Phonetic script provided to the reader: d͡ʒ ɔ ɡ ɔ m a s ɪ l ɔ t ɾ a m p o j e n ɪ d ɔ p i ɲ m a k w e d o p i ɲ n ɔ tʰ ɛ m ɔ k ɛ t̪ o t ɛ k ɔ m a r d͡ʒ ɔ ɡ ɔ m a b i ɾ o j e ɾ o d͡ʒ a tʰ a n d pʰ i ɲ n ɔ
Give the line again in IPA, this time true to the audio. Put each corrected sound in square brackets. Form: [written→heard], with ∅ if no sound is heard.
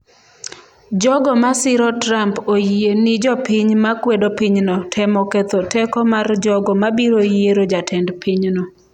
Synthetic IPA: d͡ʒ ɔ ɡ ɔ m a s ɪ [l→ɾ] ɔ t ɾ a m p o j e n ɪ [d→d͡ʒ] ɔ p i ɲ m a k w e d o p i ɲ n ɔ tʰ ɛ m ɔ k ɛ t̪ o t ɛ k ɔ m a r d͡ʒ ɔ ɡ ɔ m a b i ɾ o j e ɾ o d͡ʒ a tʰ [a→ɛ] n d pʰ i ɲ n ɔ